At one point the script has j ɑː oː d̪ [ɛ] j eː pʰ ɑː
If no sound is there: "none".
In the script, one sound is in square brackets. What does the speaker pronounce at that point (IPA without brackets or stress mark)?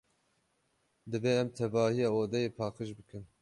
ɛ